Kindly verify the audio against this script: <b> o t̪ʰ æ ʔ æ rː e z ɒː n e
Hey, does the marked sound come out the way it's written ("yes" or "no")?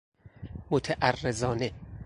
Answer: no